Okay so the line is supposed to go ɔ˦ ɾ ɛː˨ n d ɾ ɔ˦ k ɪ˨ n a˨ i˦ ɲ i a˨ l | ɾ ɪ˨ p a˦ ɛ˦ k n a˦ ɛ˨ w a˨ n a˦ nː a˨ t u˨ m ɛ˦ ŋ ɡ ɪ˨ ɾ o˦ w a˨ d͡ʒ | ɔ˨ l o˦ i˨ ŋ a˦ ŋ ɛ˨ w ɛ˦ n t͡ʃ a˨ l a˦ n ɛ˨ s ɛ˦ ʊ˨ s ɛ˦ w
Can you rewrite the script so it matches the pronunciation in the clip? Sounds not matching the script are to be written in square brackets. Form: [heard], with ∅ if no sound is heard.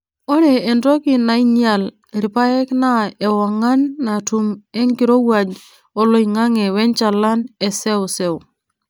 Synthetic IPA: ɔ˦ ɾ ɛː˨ n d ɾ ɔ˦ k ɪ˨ n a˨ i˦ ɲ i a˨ l | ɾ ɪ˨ p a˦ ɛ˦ k n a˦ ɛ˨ w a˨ [ŋ] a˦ nː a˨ t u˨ m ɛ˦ ŋ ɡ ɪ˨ ɾ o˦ w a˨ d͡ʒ | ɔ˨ l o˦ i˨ ŋ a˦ ŋ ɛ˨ w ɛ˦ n t͡ʃ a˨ l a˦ n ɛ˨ s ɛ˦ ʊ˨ s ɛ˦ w

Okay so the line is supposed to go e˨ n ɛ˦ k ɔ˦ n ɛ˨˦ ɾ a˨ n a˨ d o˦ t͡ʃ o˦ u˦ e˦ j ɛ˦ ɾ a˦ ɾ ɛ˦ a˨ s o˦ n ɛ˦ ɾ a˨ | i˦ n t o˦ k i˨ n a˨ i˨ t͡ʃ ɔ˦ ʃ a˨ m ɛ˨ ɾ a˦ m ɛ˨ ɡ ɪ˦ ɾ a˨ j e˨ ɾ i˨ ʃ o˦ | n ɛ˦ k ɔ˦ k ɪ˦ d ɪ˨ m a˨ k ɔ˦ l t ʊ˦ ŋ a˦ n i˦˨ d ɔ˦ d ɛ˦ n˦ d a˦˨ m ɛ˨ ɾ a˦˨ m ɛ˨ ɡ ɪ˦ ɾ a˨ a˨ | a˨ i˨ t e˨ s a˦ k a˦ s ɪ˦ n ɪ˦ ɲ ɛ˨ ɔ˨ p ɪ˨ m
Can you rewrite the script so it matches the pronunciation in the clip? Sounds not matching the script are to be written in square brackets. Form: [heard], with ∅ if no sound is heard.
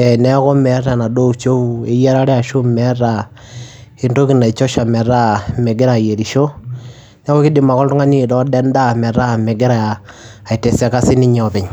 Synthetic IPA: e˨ n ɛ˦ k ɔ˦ [m] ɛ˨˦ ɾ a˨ n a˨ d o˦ t͡ʃ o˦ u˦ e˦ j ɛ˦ ɾ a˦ ɾ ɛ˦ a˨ [ʃ] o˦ [m] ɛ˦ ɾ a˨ | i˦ n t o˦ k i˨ n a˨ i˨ t͡ʃ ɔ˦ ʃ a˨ m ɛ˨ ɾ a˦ m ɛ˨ ɡ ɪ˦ ɾ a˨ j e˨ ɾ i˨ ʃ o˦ | n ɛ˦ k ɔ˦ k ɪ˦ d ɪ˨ m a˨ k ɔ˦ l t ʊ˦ ŋ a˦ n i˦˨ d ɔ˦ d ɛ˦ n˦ d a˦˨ m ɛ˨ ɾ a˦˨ m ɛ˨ ɡ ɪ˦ ɾ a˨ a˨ | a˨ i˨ t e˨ s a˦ k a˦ s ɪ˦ n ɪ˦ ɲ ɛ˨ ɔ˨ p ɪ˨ [ɲ]

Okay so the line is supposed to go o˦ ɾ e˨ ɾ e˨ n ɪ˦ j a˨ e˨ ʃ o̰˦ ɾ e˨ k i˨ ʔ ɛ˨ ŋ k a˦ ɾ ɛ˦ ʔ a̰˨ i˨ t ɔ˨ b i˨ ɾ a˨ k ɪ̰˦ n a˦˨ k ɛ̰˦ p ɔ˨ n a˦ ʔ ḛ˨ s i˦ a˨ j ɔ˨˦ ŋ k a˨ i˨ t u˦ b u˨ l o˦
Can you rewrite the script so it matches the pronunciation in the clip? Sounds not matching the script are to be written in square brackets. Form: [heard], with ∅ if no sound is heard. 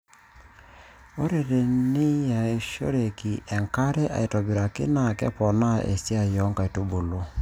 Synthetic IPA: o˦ ɾ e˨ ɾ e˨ n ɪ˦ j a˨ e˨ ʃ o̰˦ ɾ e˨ k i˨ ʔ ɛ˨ ŋ k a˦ ɾ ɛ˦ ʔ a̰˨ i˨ t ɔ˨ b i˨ ɾ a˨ k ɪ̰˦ n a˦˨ k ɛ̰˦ p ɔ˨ n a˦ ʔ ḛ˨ s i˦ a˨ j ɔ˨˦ ŋ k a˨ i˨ t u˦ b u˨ l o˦

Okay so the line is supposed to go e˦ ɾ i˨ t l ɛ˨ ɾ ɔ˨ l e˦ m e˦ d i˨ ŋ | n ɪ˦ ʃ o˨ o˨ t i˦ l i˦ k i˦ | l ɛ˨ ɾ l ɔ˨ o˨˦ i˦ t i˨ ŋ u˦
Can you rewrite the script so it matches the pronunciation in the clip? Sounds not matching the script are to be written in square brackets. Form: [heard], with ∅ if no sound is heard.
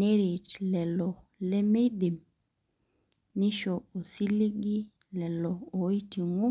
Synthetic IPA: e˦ ɾ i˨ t l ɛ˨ [l] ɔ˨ l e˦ m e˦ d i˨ [m] | n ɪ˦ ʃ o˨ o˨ [s] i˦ l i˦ [ɡ] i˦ | l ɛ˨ [∅] l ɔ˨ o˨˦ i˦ t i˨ ŋ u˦

